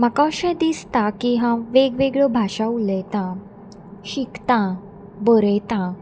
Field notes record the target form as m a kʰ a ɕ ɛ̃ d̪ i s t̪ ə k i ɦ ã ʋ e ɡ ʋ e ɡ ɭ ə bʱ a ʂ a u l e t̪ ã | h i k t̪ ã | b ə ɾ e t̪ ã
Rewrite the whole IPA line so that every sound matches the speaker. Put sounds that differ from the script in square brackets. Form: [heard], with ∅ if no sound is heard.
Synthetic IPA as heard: m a [k] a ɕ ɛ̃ d̪ i s t̪ [a] k i ɦ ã ʋ e ɡ ʋ e ɡ ɭ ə bʱ a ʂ a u l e t̪ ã | [ɕ] i k t̪ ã | b ə ɾ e t̪ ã

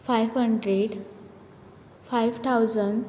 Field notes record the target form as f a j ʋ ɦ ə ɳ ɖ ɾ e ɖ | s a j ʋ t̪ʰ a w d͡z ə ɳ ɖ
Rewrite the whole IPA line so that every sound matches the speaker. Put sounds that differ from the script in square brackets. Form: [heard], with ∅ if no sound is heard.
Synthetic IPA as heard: f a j ʋ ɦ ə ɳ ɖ ɾ e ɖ | [f] a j ʋ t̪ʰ a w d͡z ə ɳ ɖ

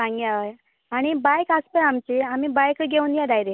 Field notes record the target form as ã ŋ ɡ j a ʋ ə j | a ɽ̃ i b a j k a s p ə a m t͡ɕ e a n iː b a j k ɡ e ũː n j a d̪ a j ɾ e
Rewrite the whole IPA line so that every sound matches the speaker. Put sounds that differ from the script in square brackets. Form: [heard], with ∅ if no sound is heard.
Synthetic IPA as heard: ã ŋ ɡ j a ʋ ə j | a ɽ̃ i b a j k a s p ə a m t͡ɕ e a [m] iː b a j k ɡ e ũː n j a d̪ a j ɾ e

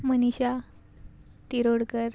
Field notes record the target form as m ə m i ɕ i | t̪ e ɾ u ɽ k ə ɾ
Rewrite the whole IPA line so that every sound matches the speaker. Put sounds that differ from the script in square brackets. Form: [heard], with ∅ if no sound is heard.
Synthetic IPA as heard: m ə [n] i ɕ [a] | t̪ [i] ɾ [o] ɽ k ə ɾ

